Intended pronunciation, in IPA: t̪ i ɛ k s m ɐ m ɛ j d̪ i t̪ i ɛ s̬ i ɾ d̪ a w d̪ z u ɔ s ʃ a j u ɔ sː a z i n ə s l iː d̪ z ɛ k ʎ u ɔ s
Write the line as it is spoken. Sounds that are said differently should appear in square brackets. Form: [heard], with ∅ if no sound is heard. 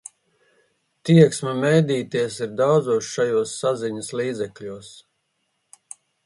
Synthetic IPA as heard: t̪ i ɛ k s m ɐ m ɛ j d̪ [iː] t̪ i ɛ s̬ i ɾ d̪ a w d̪ z u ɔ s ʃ a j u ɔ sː a z i [ɲ] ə s l iː d̪ z ɛ k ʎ u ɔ s